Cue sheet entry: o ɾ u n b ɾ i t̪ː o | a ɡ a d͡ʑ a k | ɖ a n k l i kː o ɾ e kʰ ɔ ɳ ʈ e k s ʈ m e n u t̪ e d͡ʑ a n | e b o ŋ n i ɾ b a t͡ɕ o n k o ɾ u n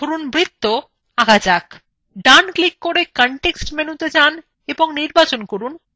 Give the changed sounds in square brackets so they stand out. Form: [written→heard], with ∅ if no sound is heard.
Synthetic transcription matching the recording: o ɾ u n b ɾ i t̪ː o | a ɡ a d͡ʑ a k | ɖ a n k l i kː o ɾ e [kʰ→k] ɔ ɳ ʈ e k s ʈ m e n u t̪ e d͡ʑ a n | e b o ŋ n i ɾ b a t͡ɕ o n k o ɾ u n